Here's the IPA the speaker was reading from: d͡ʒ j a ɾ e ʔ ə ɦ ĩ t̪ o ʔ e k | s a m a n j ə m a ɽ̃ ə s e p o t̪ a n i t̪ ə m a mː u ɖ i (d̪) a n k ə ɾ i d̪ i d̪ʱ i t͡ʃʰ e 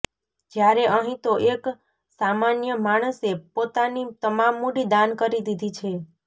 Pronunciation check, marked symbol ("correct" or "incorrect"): correct